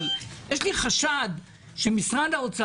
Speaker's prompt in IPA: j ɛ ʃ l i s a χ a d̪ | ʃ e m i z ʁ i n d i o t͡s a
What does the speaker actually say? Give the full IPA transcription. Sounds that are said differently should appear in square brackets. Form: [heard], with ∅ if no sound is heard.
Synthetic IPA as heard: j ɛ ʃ l i [χ] a [ʃ] a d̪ | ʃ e m i [s] ʁ [a] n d [a] o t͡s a